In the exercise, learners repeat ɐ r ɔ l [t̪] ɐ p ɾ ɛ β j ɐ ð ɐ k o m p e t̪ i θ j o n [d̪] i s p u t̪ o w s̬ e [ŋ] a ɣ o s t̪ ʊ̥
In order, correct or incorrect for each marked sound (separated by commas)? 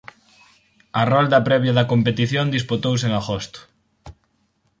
incorrect, correct, correct